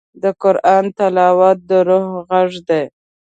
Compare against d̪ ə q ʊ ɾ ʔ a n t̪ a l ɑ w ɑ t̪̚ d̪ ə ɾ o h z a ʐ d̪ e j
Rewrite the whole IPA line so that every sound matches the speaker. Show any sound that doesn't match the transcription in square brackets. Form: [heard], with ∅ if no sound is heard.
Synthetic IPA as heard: d̪ ə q ʊ ɾ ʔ [ɑ] n t̪ a l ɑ w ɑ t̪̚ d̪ ə ɾ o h [ɣ] a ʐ d̪ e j